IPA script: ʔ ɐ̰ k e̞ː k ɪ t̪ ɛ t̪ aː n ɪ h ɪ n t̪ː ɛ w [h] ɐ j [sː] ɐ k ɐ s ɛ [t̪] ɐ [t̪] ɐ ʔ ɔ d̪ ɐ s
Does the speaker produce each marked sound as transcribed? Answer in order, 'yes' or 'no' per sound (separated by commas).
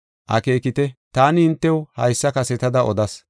yes, yes, yes, no